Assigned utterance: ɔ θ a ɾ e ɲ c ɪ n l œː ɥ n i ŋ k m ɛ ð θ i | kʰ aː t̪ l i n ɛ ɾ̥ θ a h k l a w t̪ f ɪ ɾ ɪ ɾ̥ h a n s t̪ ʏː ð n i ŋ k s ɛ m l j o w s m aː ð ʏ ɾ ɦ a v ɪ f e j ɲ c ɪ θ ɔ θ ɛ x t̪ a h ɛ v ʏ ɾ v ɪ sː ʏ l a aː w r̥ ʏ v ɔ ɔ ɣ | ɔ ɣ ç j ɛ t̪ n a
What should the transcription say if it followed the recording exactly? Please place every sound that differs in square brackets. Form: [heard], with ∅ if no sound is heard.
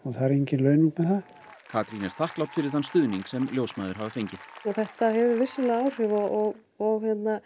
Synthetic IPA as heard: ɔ θ a ɾ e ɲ c ɪ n l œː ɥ n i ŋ k m ɛ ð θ [a] | kʰ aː t̪ [ɾ] i n ɛ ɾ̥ θ a h k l a w t̪ f ɪ ɾ ɪ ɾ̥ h a n s t̪ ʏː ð n i ŋ k s ɛ m l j o w s m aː ð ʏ ɾ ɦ a v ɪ f e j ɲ c ɪ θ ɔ θ ɛ [h] t̪ a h ɛ v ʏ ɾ v ɪ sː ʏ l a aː w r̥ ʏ v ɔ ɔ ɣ | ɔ ɣ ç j ɛ t̪ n a